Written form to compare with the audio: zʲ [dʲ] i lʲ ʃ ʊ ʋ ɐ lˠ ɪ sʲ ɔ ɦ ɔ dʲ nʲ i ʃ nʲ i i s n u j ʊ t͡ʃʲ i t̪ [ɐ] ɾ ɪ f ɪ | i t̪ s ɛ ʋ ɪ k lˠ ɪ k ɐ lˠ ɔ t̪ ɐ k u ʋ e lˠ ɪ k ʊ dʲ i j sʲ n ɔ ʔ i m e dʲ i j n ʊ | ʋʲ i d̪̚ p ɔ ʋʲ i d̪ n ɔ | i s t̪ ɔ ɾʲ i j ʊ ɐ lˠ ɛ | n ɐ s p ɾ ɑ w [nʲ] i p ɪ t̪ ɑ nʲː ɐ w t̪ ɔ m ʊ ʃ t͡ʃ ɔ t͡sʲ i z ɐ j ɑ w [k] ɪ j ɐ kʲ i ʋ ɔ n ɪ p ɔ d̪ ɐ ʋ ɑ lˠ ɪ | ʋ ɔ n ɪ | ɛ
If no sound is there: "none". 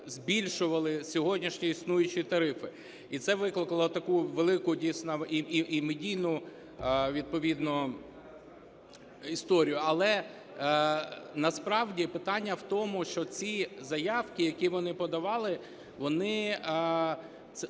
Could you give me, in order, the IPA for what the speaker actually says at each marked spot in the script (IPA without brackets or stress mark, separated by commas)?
bʲ, ɐ, dʲ, k